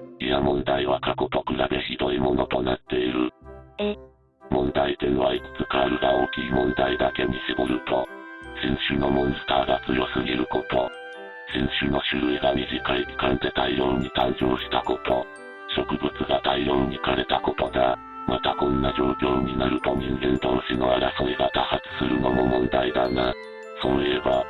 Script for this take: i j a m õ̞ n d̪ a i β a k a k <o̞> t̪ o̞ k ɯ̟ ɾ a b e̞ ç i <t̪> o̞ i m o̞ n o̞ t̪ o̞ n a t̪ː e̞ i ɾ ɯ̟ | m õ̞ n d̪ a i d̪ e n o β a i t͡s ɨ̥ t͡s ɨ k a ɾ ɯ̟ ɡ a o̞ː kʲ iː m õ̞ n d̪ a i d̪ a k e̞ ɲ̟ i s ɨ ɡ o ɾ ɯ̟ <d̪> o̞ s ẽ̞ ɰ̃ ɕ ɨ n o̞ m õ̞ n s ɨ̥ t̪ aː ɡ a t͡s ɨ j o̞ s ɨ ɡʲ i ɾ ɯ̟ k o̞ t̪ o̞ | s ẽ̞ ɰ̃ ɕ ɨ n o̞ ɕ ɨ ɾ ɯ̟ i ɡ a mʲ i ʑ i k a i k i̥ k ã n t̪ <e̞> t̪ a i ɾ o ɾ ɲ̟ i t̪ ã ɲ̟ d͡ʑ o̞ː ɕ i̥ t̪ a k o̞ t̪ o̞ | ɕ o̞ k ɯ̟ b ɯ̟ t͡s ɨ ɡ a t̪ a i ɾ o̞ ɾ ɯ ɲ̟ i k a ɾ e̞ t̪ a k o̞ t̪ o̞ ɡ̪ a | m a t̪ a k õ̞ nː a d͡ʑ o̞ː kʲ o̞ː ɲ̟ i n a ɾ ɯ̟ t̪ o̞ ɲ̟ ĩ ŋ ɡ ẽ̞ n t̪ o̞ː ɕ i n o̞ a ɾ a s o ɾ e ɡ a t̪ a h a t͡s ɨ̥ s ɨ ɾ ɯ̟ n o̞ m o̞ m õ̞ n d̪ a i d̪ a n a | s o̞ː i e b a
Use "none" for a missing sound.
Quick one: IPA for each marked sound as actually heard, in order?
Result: o̞, d̪, t̪, e̞

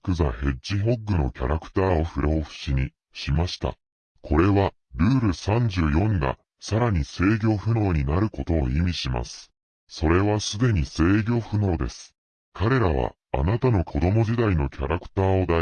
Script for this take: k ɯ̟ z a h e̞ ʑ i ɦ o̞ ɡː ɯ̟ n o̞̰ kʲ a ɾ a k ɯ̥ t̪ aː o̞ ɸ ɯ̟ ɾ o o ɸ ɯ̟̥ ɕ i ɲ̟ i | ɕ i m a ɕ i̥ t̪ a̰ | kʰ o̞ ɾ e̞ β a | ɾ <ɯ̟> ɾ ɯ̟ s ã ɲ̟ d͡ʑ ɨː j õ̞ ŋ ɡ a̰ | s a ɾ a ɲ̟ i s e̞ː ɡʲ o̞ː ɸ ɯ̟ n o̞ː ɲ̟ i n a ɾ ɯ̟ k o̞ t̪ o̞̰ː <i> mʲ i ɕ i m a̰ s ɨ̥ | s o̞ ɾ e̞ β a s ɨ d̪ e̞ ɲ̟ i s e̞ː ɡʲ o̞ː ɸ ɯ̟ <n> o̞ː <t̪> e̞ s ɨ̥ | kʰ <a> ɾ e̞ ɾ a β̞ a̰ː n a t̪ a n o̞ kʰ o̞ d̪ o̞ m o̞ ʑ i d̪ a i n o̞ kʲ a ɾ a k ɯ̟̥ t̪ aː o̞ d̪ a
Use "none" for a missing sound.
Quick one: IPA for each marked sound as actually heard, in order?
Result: ɯ̟ː, i, n, d̪, a

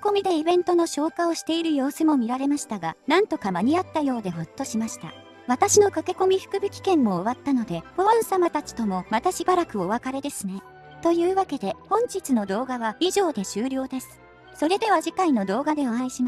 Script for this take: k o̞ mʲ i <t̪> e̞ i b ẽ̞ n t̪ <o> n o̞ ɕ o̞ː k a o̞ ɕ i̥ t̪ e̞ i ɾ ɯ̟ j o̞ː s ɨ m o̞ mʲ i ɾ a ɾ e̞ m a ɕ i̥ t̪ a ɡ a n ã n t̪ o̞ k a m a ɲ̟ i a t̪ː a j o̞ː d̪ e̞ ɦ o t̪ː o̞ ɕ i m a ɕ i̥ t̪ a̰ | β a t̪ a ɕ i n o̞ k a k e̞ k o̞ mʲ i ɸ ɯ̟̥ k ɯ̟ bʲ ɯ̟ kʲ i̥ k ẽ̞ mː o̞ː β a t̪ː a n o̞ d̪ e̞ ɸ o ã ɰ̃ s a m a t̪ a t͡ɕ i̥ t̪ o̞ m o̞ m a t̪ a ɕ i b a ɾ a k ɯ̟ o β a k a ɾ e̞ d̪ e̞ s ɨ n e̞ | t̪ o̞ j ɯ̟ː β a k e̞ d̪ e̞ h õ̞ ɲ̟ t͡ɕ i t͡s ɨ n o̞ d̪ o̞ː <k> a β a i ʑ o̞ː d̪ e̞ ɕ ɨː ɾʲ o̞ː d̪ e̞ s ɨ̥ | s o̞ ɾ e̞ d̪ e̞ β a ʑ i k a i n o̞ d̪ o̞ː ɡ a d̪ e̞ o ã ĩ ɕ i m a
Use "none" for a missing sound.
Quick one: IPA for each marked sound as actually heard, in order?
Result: d̪, o, ɡ

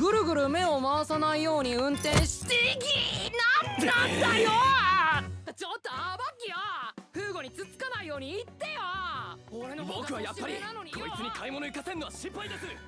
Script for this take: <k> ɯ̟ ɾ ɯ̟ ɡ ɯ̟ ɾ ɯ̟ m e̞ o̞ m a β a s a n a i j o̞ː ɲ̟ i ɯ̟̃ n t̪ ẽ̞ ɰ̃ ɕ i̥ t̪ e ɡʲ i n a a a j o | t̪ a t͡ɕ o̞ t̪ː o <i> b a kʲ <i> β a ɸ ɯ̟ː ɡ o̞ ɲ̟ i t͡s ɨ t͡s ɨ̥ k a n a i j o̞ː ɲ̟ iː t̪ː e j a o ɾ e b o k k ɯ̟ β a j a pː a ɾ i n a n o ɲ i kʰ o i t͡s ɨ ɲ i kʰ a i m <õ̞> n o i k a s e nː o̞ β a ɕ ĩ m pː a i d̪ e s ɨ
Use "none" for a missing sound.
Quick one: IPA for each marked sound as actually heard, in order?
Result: ɡ, a, i, o̞

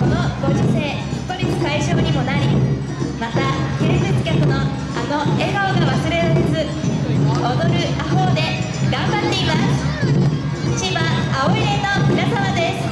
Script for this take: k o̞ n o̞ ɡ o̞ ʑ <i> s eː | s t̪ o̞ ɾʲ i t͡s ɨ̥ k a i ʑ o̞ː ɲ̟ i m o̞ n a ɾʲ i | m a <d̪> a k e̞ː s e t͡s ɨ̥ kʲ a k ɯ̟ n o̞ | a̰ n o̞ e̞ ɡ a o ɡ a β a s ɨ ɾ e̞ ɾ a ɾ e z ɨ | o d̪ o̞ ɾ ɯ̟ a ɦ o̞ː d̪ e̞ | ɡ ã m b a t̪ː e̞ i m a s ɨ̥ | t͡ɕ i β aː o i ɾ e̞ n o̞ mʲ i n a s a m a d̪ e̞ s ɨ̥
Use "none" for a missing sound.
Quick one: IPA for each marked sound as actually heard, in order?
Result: i, t̪

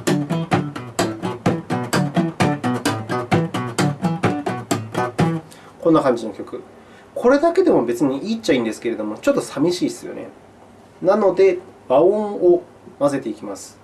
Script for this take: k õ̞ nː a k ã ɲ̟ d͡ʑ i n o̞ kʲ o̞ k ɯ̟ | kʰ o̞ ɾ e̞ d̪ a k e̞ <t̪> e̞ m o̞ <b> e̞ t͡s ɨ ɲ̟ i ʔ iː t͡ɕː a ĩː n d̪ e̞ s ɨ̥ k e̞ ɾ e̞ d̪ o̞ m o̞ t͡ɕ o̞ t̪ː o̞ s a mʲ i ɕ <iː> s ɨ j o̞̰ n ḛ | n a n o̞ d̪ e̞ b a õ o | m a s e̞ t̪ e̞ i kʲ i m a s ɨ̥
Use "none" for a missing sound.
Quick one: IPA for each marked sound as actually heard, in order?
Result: d̪, b, iː

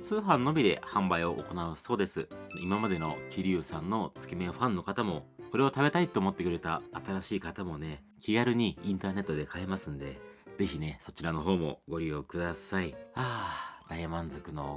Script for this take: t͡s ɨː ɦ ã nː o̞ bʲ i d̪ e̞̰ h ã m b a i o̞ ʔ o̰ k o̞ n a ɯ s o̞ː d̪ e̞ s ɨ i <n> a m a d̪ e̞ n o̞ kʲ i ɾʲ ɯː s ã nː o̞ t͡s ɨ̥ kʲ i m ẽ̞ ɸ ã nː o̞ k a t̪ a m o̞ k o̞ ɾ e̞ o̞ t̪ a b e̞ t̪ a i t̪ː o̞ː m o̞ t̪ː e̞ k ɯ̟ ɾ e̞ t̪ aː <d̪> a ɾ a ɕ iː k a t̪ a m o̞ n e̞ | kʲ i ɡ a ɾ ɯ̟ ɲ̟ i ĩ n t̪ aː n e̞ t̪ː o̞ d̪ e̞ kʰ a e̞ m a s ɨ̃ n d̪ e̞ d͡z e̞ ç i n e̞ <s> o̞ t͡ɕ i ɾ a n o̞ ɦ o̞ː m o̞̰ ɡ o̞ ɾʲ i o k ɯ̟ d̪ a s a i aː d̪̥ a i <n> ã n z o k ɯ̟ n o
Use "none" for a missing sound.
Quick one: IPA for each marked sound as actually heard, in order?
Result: m, t̪, s, m

